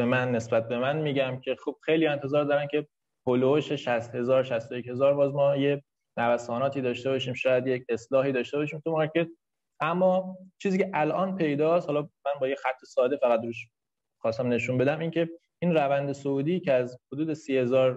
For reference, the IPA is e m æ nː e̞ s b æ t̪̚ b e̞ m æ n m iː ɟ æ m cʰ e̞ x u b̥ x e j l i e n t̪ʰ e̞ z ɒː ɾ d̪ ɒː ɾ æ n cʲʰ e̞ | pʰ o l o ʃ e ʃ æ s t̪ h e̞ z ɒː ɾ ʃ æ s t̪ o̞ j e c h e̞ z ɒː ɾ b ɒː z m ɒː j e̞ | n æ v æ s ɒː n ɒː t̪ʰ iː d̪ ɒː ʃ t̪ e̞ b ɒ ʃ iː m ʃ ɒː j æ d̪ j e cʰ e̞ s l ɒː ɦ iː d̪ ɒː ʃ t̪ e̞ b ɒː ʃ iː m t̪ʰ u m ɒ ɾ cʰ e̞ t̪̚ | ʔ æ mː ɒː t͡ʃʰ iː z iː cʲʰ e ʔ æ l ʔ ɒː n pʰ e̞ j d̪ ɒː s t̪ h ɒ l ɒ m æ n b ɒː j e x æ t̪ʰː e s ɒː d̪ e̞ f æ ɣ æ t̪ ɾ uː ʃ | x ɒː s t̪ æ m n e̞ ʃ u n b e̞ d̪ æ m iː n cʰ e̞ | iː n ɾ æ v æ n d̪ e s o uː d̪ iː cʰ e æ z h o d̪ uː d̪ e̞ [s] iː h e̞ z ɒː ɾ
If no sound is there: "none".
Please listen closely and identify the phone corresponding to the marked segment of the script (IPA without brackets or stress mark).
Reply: s